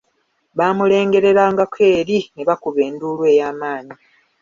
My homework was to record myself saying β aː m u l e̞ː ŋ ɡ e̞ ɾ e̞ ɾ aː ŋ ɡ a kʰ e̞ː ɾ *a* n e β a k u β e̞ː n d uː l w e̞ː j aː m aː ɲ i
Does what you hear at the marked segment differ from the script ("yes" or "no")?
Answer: yes